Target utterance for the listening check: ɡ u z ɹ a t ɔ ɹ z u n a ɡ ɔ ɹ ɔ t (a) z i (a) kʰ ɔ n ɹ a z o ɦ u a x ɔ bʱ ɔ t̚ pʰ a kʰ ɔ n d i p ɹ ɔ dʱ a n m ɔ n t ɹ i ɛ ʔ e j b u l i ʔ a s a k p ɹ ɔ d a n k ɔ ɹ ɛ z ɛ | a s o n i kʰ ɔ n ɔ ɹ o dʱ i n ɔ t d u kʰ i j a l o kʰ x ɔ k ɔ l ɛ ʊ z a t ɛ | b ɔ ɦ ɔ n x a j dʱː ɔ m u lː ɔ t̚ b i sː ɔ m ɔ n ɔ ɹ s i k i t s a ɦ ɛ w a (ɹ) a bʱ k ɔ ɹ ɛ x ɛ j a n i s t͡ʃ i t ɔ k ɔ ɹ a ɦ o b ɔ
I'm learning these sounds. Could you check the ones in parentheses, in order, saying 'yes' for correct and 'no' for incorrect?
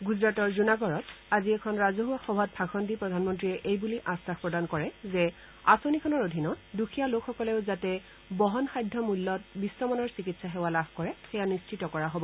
yes, no, no

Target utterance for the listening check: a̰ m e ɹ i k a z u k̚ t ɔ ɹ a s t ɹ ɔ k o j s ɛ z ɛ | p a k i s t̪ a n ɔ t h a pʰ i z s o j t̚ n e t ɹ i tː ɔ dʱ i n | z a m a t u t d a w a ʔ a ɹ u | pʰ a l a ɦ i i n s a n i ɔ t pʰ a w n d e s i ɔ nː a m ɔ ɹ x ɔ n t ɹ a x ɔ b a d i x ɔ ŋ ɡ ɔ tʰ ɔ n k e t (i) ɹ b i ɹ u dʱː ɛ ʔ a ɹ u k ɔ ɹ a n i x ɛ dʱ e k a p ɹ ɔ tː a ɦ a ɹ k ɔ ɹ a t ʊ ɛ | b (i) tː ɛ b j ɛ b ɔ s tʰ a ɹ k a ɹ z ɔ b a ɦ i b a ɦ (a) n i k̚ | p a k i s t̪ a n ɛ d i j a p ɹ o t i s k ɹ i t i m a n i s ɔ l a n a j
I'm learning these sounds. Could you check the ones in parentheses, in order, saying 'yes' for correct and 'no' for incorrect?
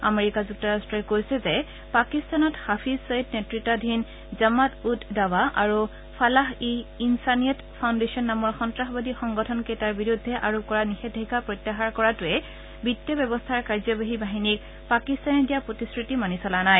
no, yes, no

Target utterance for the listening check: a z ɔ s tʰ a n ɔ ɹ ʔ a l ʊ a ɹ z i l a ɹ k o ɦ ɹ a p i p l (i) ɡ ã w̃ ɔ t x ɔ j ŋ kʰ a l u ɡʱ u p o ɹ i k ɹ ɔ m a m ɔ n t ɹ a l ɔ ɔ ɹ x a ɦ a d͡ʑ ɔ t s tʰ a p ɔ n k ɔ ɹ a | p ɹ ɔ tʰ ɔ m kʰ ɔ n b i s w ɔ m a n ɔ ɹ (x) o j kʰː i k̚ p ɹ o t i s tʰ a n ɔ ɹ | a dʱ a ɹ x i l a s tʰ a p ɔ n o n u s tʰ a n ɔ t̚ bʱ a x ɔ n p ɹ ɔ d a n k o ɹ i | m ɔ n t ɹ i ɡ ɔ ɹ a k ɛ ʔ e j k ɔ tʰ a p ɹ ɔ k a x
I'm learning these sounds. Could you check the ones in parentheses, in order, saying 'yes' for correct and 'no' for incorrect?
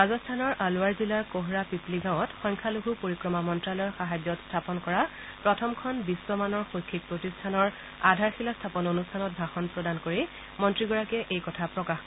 yes, yes

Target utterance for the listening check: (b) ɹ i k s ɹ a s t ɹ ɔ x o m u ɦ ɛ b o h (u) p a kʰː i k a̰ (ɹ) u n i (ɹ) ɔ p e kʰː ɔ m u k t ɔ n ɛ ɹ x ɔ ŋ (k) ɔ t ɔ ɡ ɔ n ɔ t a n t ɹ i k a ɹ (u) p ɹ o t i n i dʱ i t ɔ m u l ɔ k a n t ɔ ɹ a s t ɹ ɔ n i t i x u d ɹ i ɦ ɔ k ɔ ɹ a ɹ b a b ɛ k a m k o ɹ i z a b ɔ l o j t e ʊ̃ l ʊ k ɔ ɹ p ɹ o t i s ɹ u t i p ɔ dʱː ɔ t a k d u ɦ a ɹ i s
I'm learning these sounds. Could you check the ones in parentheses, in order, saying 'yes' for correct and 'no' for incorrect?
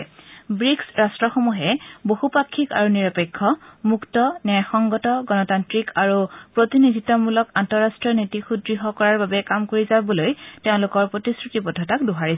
yes, yes, yes, yes, no, yes

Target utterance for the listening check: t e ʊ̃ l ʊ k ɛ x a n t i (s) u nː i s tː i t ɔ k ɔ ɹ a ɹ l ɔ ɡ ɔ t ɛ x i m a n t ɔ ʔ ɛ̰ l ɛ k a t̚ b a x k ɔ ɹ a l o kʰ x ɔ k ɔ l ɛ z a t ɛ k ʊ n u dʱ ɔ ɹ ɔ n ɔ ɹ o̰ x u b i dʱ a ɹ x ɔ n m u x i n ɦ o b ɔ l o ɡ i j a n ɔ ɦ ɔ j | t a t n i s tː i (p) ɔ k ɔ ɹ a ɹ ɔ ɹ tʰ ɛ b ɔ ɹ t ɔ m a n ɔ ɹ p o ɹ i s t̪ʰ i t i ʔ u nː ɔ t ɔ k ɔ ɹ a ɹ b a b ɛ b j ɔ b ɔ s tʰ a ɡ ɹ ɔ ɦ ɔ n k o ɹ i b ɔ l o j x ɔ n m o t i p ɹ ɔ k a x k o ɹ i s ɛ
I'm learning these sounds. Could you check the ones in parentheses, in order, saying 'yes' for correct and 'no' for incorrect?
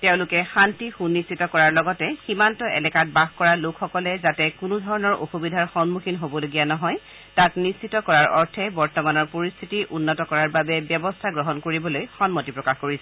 no, no

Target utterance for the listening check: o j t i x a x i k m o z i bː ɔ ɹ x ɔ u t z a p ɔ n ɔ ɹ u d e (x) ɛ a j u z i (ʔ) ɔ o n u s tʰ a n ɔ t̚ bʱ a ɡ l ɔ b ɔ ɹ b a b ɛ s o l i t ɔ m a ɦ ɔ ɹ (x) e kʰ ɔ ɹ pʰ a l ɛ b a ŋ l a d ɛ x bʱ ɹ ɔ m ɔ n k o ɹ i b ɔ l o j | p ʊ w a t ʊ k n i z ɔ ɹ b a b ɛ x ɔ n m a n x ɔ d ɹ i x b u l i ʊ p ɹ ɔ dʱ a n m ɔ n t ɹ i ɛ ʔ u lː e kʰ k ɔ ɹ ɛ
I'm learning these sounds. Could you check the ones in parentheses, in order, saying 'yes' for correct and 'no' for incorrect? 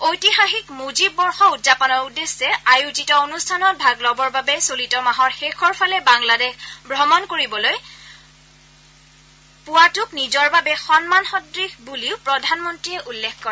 no, no, yes

